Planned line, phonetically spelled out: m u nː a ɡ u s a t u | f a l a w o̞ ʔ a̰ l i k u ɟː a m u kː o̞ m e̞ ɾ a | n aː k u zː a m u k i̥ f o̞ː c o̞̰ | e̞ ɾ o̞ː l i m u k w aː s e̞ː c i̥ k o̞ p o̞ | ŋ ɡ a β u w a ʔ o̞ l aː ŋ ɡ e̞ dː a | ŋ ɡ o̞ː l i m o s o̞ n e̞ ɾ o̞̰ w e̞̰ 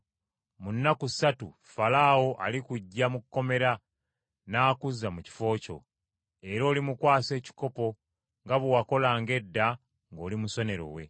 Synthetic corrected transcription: m u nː a k u s a t u | f a l a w o̞ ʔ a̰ l i k u ɟː a m u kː o̞ m e̞ ɾ a | n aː k u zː a m u c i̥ f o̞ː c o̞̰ | e̞ ɾ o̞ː l i m u k w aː s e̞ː c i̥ k o̞ p o̞ | ŋ ɡ a β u w a k o̞ l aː ŋ ɡ e̞ dː a | ŋ ɡ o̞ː l i m u s o̞ n e̞ ɾ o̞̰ w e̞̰